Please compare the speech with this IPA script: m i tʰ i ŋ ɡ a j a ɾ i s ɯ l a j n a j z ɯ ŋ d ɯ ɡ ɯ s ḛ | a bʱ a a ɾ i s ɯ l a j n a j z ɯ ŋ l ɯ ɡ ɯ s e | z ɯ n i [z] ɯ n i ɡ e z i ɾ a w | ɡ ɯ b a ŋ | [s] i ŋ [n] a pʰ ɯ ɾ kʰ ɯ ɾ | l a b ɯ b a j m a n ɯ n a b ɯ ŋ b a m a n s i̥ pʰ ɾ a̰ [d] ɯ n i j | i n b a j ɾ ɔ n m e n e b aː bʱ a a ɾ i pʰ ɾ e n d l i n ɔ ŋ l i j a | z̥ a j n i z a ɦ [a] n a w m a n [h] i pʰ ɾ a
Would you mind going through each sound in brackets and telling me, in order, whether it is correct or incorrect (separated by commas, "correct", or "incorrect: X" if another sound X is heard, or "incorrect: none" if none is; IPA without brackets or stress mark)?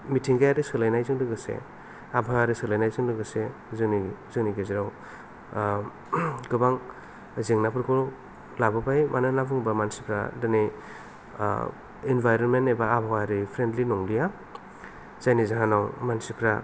correct, incorrect: z, correct, correct, correct, incorrect: s